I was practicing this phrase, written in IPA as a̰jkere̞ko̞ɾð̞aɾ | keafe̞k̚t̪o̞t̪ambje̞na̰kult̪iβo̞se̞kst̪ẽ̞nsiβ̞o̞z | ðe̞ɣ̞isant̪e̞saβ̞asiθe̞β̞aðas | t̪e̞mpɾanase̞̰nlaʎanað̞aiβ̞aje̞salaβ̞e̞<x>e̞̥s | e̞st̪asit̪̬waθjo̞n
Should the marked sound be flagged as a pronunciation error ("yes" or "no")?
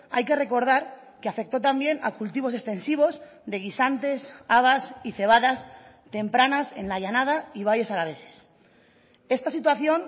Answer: yes